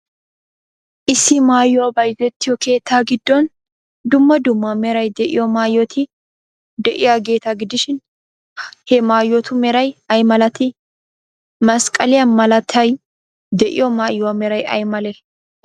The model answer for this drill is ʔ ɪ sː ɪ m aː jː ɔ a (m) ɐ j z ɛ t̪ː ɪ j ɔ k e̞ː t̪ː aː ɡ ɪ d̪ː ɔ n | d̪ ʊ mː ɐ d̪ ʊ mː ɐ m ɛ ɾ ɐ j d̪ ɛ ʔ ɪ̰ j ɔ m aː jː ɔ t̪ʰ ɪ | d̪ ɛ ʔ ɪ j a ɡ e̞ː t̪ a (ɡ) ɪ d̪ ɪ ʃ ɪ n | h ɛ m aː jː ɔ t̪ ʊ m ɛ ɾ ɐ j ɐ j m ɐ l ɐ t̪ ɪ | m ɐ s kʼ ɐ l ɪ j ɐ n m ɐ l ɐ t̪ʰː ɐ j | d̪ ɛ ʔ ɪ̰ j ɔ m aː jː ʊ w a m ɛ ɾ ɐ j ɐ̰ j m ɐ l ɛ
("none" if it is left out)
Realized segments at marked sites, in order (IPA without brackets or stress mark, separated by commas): b, ɡ